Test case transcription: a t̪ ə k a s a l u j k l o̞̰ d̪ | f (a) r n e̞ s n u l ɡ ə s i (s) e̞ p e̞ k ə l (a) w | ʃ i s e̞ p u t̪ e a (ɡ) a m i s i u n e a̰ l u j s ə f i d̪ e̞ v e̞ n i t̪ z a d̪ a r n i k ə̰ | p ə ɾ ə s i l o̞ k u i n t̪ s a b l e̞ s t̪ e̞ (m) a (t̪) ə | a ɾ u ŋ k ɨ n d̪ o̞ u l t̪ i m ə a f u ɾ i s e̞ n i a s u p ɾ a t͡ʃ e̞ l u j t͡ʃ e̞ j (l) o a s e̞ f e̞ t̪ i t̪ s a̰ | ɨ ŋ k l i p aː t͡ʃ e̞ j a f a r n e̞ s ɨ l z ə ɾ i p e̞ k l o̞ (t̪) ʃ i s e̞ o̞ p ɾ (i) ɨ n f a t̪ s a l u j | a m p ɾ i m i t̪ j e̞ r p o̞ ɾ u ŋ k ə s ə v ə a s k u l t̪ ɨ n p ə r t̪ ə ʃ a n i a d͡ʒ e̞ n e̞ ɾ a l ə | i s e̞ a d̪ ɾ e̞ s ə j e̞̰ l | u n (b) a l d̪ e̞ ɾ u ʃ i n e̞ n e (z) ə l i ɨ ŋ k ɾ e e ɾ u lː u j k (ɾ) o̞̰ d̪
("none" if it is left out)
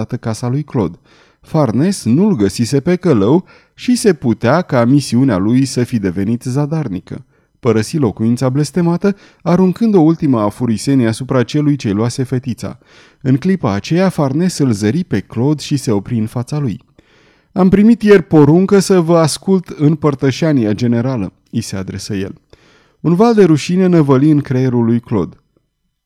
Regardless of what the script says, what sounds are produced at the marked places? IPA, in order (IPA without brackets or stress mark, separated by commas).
a, s, ə, k, m, t̪, l, d̪, i, v, v, l